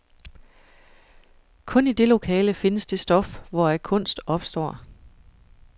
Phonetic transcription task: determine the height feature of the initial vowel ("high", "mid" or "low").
mid